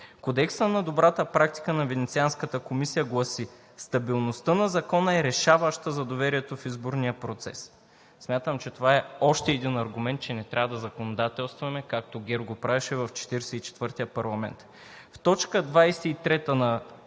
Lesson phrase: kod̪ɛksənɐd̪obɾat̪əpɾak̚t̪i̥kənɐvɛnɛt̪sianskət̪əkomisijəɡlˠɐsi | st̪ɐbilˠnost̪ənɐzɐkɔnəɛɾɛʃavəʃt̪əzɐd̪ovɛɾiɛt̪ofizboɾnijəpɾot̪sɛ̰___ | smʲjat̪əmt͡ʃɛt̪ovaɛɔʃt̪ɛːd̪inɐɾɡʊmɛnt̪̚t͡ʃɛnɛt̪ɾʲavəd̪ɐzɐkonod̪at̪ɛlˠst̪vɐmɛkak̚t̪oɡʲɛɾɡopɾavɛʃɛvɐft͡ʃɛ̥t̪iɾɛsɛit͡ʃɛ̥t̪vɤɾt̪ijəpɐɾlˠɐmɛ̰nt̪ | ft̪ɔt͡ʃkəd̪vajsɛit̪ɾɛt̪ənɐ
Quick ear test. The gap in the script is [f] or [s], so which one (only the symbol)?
s